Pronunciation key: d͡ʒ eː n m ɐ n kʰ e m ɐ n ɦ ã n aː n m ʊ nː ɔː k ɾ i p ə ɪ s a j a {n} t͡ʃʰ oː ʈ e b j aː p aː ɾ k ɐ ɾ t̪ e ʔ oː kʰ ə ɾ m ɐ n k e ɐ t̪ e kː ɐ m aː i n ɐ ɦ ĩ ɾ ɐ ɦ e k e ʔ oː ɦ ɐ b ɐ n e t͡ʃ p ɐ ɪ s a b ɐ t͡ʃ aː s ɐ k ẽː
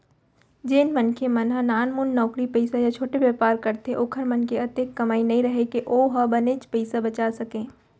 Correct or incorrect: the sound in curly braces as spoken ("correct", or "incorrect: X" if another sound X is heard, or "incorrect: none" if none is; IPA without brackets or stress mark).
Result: incorrect: none